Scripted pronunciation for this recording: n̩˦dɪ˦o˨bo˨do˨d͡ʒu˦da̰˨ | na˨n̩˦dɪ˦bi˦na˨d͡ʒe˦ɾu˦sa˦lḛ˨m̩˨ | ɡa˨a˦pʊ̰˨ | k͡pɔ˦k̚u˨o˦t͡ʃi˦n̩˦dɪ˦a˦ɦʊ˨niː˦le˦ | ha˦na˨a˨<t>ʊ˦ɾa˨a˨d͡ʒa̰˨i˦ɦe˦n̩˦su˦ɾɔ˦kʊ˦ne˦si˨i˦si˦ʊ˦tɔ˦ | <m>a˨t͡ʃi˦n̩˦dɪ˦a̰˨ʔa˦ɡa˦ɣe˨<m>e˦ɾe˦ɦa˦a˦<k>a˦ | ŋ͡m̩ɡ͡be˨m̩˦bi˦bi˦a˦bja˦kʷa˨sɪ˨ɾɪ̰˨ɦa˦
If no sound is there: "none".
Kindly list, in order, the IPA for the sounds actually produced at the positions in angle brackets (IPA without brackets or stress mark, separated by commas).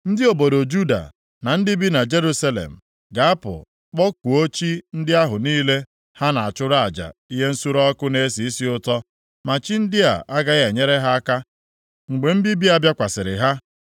t͡ʃ, m, ɲ, k